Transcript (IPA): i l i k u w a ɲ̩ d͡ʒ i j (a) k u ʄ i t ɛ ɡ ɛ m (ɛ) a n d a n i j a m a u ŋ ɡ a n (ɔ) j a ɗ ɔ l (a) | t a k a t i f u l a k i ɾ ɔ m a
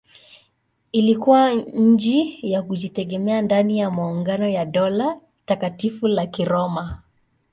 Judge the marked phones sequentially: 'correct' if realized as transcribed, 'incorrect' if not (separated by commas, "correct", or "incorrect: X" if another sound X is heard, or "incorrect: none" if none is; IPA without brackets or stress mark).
correct, correct, correct, correct